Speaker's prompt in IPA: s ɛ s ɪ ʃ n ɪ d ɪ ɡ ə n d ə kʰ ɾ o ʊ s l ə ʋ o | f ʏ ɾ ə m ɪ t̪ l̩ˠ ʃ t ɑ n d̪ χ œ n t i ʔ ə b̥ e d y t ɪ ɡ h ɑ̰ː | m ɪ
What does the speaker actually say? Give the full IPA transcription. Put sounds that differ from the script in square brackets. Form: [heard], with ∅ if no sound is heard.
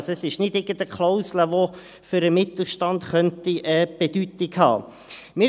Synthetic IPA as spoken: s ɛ s ɪ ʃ n ɪ d ɪ ɡ ə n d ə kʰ [l] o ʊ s l ə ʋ o | f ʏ ɾ ə m ɪ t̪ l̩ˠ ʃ t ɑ n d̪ χ œ n t i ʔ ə b̥ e d y t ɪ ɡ h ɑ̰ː | m ɪ